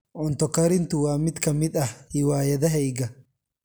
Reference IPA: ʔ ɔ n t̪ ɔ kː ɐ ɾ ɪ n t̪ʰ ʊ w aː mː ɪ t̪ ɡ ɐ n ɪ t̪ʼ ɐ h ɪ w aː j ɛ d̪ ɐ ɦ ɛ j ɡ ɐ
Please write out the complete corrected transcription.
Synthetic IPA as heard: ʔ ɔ n t̪ ɔ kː ɐ ɾ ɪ n t̪ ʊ w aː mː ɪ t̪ k ɐ m ɪ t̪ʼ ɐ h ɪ w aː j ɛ d̪ ɐ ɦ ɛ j ɡ ɐ